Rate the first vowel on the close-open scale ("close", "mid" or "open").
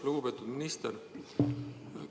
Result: close